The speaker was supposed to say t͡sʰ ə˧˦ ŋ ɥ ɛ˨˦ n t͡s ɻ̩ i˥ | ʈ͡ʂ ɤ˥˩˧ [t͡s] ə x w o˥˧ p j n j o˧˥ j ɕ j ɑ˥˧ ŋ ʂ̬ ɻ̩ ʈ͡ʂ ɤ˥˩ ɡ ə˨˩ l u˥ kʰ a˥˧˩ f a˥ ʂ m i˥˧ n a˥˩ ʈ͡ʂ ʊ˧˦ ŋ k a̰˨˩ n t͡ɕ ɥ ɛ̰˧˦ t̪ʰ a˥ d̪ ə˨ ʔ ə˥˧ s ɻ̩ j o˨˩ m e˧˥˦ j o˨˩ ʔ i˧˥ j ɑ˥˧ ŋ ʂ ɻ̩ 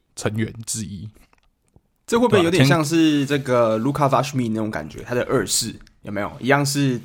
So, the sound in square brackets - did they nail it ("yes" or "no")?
no